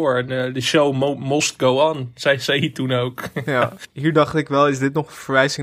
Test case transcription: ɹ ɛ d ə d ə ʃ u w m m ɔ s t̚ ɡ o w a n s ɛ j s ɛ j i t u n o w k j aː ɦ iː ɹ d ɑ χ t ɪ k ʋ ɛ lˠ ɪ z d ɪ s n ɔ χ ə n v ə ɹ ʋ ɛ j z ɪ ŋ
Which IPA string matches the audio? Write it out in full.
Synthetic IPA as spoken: ɹ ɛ n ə d ə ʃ o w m m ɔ s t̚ ɡ o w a n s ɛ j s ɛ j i t u n o w k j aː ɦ iː ɹ d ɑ χ t ɪ k ʋ ɛ lˠ ɪ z d ɪ t n ɔ χ ə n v ə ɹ ʋ ɛ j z ɪ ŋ